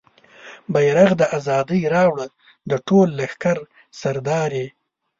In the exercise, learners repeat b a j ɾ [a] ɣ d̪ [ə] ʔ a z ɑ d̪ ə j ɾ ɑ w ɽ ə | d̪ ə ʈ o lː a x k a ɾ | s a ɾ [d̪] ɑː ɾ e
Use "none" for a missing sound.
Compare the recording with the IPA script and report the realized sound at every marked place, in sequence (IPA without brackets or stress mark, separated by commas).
a, ə, d̪